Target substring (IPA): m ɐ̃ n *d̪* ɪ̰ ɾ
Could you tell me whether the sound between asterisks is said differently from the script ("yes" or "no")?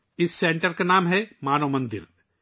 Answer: no